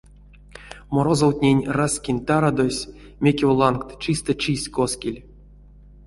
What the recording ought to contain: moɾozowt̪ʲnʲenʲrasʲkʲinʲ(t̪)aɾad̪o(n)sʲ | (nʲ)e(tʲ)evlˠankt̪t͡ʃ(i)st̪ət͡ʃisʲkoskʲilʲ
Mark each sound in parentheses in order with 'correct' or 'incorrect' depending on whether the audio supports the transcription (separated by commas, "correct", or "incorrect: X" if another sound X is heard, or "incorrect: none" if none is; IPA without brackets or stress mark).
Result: correct, incorrect: none, incorrect: mʲ, incorrect: kʲ, correct